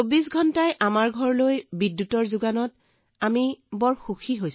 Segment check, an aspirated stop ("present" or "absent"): absent